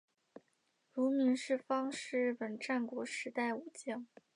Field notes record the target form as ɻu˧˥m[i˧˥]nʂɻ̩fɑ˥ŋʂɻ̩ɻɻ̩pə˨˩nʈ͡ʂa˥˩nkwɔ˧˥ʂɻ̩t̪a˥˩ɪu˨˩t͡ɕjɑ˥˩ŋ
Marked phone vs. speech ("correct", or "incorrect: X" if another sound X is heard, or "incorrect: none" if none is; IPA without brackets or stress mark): correct